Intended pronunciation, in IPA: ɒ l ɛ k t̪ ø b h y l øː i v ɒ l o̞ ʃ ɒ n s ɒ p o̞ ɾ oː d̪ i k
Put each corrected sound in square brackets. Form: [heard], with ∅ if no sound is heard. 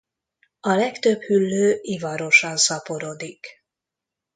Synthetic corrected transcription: ɒ l ɛ k t̪ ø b h y [lː] øː i v ɒ [ɾ] o̞ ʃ ɒ n s ɒ p o̞ ɾ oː d̪ i k